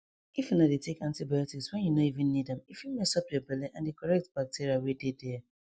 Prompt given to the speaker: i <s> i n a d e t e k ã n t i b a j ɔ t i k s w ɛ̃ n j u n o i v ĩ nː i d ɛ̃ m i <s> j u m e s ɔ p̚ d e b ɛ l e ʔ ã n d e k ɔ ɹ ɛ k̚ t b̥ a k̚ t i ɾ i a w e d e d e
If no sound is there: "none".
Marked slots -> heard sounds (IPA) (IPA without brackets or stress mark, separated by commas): f, f